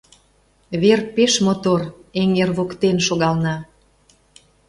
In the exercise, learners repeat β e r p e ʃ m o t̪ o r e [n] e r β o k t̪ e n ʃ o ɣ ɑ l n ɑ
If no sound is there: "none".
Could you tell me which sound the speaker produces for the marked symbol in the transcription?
ŋ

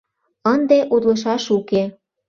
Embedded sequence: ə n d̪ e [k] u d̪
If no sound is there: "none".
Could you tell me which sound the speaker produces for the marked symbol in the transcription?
ʔ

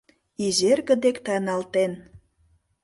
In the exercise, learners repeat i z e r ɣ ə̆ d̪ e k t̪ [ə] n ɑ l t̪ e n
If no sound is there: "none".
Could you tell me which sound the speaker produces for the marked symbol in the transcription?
ɑ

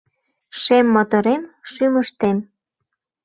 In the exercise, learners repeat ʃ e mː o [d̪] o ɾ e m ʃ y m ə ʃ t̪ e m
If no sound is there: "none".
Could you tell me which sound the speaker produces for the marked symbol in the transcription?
t̪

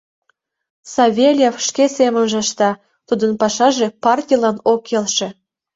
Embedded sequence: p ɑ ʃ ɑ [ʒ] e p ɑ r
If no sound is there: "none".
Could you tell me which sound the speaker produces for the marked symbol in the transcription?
ʒ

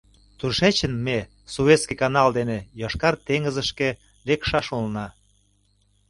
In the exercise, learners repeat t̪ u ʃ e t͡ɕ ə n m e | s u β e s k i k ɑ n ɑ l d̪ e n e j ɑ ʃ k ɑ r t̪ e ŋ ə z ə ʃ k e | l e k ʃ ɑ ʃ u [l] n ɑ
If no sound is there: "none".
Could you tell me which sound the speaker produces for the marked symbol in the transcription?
l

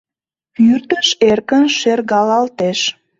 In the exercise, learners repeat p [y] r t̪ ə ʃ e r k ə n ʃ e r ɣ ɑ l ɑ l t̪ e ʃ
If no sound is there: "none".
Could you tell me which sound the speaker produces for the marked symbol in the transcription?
y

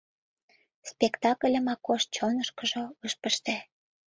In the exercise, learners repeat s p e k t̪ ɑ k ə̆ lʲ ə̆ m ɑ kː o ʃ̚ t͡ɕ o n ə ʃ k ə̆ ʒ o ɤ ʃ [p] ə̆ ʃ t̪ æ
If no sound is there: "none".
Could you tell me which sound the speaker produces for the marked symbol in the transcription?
p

